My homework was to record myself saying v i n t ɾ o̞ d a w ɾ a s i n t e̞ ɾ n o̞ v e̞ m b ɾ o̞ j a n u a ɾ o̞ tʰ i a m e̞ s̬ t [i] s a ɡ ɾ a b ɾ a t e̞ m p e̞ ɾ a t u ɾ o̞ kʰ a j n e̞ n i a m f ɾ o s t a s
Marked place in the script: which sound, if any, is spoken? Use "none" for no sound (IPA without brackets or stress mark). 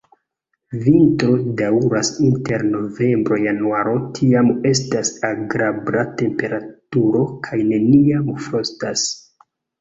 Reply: a